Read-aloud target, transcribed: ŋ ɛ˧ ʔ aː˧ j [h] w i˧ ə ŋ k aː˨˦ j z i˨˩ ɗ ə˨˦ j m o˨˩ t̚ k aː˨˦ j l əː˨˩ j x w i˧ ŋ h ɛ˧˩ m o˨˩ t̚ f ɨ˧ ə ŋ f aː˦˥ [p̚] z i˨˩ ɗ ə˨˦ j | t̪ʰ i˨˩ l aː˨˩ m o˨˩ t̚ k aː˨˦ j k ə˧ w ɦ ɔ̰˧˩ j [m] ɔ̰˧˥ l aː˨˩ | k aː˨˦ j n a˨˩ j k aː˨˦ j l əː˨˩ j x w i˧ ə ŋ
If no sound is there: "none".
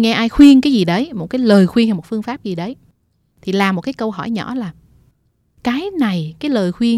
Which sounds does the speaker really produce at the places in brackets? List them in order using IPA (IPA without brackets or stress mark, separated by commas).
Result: x, p̚, ɲ